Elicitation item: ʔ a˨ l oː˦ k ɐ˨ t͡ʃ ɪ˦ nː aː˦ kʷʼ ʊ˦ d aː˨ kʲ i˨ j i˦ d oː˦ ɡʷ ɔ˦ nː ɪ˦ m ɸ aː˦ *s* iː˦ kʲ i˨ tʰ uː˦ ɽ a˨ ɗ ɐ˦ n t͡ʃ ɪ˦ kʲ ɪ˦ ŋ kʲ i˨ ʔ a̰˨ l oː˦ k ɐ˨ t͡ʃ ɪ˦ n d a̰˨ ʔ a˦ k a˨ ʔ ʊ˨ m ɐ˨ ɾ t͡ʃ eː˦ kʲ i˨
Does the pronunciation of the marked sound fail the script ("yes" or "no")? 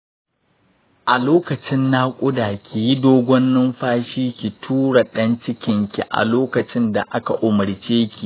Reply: yes